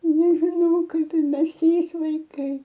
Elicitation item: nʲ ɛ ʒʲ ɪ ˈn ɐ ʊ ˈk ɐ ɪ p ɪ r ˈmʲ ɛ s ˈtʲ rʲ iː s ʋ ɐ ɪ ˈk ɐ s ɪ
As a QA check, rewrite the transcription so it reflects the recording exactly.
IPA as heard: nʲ ɛ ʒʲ ɪ ˈn ɐ ʊ ˈk ɐ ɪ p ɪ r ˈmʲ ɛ s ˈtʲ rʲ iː s ʋ ɐ ɪ ˈk ɐ ɪ